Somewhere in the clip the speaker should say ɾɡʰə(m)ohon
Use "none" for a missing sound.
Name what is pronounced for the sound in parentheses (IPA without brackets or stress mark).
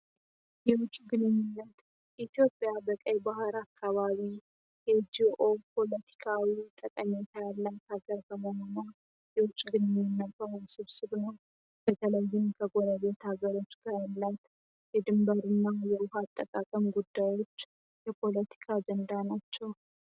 m